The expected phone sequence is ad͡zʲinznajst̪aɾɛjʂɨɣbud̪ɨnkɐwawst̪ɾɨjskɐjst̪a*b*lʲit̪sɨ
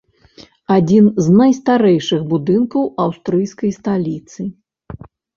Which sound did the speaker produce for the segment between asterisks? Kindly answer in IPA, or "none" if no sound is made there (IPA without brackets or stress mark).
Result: none